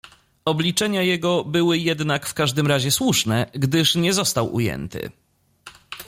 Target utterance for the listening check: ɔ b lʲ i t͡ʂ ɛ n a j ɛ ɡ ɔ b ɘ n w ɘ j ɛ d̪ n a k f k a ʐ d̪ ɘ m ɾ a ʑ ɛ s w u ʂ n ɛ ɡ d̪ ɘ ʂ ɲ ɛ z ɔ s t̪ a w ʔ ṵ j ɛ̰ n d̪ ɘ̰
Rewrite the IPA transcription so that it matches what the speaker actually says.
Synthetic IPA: ɔ b lʲ i t͡ʂ ɛ ɲ a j ɛ ɡ ɔ b ɘ w ɘ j ɛ d̪ n a k f k a ʐ d̪ ɘ m ɾ a ʑ ɛ s w u ʂ n ɛ ɡ d̪ ɘ ʂ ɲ ɛ z ɔ s t̪ a w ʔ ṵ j ɛ̰ n t̪ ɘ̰